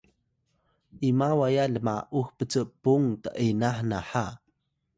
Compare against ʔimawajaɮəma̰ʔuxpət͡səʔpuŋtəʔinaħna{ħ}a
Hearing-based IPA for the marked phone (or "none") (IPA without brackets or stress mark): ħ